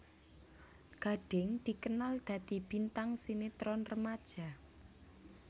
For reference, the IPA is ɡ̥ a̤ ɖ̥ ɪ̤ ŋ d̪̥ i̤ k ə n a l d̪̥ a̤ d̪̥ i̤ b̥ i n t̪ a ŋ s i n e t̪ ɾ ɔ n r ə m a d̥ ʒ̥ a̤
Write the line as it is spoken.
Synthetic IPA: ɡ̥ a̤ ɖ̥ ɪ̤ ŋ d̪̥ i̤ k ə n a l d̪̥ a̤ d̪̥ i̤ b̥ i n t̪ a ŋ s i n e t̪ ɾ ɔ n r ə m a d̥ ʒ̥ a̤